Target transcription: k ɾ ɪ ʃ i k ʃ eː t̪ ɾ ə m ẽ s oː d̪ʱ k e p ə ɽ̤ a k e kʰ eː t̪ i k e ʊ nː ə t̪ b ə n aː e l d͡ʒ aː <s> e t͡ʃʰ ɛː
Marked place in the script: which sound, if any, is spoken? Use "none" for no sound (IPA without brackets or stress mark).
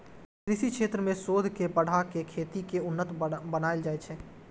none